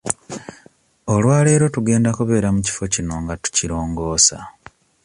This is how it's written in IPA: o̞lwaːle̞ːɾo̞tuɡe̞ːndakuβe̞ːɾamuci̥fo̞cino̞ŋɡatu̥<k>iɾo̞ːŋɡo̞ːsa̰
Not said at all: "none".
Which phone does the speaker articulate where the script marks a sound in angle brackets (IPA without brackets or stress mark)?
c